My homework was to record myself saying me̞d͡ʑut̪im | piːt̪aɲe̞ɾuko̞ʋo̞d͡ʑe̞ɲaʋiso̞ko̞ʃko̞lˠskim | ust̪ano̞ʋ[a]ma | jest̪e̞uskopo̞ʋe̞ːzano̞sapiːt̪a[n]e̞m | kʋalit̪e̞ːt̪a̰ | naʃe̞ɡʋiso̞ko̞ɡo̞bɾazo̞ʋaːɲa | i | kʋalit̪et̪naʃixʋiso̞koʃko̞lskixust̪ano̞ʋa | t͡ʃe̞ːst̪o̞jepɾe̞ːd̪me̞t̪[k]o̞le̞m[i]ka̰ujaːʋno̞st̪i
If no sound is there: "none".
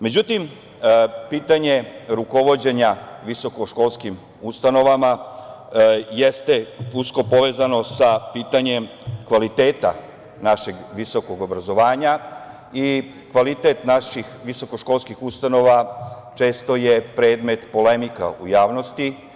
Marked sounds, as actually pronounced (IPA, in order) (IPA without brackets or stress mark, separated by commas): a, ɲ, p, i